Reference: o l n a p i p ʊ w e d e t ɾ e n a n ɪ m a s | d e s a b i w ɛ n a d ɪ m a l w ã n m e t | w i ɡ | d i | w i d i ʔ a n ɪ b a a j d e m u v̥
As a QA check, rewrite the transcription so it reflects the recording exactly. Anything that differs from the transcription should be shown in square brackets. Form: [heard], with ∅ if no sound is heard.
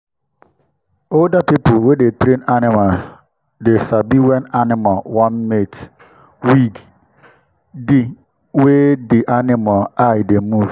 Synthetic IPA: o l [d] a p i p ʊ w e d e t ɾ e n a n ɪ m a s | d e s a b i w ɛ n a [n] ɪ m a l w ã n m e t | w i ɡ | d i | w [e] d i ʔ a n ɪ [m] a a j d e m u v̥